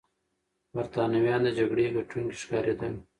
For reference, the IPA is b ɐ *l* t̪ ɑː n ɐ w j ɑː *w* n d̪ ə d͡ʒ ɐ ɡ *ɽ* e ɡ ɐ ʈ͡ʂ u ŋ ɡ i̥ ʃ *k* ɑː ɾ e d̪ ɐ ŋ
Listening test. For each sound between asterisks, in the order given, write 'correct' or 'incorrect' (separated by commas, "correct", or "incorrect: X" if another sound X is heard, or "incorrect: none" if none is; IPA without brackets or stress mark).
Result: incorrect: ɾ, incorrect: none, correct, correct